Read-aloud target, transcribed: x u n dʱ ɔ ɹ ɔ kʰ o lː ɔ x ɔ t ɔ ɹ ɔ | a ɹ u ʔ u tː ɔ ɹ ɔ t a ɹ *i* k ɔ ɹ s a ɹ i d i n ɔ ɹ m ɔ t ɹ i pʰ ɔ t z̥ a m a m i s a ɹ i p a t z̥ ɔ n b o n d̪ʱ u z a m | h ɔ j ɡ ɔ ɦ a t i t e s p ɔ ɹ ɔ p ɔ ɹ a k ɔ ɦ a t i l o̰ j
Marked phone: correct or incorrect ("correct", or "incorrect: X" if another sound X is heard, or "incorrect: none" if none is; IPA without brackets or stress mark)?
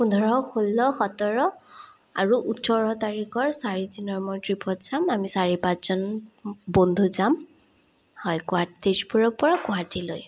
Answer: correct